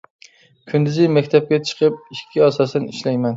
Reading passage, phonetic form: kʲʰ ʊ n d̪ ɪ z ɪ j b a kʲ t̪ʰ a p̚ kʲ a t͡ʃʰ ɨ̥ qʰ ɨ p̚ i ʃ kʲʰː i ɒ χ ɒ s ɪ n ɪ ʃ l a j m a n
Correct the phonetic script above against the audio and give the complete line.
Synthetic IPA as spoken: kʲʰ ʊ n d̪ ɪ z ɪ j m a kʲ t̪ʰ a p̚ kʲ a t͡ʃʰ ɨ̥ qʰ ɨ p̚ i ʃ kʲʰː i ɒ s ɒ s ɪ n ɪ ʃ l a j m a n